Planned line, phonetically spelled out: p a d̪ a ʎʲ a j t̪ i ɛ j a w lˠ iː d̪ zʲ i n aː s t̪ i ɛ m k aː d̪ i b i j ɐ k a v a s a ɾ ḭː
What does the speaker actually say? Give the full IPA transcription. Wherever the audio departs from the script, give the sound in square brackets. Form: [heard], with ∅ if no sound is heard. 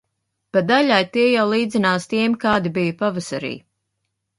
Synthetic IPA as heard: p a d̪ a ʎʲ a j t̪ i ɛ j a w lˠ iː d̪ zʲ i n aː s t̪ i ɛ m k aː d̪ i b i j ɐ [p] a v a s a ɾ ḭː